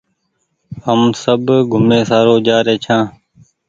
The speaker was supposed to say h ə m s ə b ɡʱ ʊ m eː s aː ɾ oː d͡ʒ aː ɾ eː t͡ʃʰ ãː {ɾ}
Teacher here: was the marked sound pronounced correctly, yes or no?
no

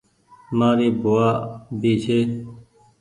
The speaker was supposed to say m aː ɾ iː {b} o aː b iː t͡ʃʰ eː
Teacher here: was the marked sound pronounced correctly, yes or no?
yes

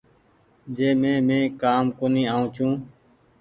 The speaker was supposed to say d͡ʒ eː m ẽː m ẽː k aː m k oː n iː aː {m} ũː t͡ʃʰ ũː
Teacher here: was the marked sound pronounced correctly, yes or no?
no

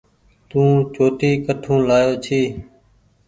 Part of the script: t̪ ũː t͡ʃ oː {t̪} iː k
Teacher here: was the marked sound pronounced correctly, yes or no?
yes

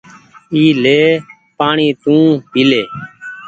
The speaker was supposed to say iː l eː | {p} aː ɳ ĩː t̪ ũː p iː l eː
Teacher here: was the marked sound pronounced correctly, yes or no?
yes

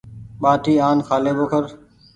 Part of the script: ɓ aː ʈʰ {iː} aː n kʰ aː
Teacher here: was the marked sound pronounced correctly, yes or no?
yes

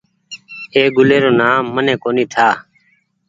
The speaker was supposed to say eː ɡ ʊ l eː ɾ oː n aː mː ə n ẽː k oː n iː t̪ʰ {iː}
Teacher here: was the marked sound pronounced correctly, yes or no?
no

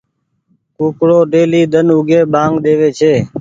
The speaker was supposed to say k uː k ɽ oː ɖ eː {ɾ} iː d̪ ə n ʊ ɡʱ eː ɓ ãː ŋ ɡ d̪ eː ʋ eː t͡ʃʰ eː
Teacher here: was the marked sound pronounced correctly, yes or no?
no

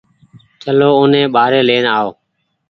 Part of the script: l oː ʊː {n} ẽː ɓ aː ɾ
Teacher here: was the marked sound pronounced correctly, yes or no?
yes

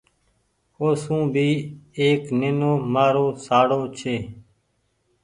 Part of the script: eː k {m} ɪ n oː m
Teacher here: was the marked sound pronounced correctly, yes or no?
no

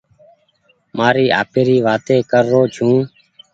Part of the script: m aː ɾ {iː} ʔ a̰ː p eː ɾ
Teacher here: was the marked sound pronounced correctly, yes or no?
yes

